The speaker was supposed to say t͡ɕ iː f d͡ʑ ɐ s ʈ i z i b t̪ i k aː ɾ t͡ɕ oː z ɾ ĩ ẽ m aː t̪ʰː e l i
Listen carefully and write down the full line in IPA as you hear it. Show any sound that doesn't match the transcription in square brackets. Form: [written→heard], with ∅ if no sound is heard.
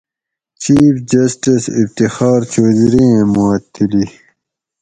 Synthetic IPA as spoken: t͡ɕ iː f d͡ʑ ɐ s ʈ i [z→s] i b t̪ i [k→x] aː ɾ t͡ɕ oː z ɾ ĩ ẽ m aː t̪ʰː [e→i] l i